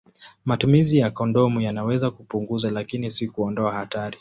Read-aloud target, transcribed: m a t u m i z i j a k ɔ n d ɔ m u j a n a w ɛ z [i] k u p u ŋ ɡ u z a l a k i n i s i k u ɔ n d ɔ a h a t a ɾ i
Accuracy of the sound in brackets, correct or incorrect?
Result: incorrect